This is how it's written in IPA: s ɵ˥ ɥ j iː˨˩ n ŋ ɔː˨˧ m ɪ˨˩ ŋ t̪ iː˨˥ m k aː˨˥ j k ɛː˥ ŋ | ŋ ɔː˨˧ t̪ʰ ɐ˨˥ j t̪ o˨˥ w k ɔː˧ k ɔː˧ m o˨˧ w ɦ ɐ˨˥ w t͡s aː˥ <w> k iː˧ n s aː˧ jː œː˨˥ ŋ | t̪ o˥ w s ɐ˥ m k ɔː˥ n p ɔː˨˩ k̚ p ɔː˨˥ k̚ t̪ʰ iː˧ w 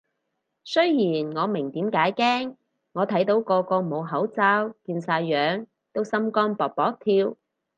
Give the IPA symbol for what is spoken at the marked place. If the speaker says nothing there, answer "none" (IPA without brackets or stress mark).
w